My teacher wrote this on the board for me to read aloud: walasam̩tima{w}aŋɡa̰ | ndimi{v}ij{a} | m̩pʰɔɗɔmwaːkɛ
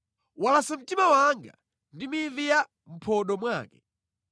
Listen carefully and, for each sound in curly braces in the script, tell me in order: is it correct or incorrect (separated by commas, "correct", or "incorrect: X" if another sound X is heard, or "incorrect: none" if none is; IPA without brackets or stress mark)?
correct, correct, correct